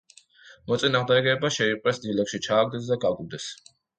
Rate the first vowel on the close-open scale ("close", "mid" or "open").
mid